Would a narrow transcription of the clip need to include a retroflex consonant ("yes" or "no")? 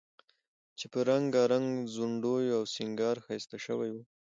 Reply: yes